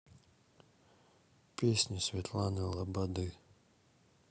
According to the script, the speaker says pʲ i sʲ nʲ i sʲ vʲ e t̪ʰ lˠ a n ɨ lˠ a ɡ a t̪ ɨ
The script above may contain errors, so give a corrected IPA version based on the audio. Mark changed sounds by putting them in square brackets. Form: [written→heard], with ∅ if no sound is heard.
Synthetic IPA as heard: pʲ [i→e] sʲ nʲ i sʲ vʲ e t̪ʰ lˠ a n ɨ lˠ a [ɡ→b] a [t̪→d̪] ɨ